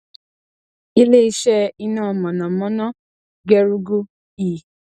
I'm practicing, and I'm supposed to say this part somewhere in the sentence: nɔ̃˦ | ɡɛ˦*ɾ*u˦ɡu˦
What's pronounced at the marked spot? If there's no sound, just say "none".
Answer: ɾ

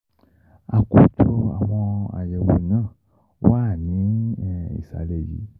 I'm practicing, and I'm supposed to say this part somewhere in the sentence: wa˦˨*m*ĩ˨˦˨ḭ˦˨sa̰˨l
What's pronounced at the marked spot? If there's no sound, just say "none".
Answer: n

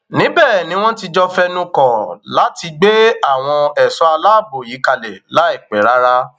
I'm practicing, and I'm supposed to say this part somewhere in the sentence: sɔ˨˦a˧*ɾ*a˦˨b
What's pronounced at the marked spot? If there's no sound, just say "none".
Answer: l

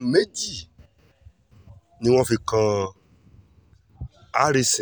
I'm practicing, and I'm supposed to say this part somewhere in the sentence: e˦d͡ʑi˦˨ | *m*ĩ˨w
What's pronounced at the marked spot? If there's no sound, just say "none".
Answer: n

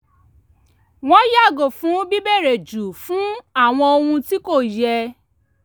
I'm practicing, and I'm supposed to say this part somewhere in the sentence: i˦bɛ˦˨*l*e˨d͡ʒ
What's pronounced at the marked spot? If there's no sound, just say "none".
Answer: ɾ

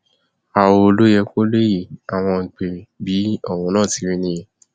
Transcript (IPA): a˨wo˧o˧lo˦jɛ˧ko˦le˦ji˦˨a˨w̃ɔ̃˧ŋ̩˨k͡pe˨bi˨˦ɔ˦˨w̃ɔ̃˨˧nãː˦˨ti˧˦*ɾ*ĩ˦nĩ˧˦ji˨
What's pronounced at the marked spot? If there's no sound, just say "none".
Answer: ɾ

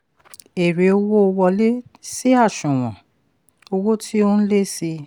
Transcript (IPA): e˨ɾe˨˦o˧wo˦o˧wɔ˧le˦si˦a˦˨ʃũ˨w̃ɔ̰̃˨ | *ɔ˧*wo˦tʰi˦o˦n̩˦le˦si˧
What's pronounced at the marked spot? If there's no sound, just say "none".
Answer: o˧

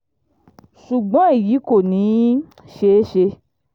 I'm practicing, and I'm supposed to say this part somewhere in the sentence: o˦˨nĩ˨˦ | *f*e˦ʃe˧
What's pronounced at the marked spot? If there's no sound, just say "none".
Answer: ʃ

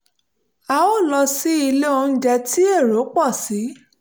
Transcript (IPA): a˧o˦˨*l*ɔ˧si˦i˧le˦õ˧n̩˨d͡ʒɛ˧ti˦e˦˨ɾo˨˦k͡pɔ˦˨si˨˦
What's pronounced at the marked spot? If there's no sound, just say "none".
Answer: l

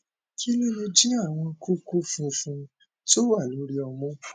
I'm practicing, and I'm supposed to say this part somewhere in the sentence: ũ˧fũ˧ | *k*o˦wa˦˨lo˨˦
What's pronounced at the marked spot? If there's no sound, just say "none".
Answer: t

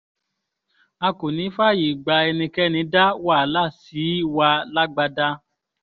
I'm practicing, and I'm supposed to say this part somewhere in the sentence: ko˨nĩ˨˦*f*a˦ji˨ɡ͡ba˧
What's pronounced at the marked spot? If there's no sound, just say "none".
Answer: f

